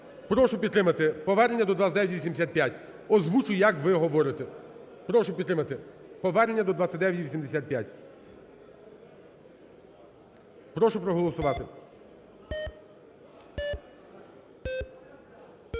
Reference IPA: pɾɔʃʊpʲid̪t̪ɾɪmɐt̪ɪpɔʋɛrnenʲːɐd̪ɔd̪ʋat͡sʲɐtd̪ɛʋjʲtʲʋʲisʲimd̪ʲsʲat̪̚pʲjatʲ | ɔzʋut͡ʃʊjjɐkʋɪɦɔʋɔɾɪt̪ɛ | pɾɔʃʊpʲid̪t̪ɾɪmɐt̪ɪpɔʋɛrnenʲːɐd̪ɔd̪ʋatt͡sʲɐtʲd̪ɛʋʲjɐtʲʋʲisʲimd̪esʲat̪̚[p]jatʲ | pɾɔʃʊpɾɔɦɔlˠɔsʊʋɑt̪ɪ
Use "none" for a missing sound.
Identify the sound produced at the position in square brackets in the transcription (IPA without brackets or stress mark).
p